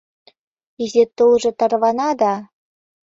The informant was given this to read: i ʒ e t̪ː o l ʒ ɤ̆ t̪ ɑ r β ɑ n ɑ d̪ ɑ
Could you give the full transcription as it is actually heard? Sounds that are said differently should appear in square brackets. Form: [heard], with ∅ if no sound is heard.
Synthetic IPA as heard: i [z] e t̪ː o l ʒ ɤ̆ t̪ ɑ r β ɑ n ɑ d̪ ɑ